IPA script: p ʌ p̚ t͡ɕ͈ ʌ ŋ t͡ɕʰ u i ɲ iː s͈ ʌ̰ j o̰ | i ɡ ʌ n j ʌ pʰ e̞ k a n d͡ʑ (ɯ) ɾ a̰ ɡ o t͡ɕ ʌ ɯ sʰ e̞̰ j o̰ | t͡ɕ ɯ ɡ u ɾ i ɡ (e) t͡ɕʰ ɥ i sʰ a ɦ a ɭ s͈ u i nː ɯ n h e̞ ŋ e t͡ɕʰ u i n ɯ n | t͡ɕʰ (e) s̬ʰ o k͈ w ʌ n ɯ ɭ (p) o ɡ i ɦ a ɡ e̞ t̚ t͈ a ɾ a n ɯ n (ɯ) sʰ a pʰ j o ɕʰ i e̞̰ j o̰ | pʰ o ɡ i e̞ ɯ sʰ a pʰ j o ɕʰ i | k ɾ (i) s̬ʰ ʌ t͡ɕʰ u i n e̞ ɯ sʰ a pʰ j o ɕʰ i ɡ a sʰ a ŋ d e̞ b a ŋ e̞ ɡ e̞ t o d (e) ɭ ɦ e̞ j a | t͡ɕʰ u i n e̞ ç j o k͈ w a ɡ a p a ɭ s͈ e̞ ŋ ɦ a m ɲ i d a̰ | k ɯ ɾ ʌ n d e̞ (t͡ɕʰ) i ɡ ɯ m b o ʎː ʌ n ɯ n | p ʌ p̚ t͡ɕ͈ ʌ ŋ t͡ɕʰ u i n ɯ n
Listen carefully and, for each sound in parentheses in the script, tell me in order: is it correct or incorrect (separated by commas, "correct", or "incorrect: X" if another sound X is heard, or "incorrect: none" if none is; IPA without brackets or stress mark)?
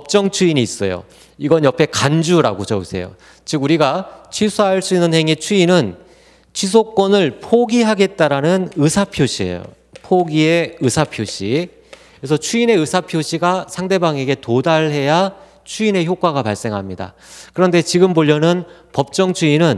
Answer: incorrect: u, incorrect: a, incorrect: i, incorrect: pʰ, correct, incorrect: e, incorrect: a, incorrect: t͡ɕ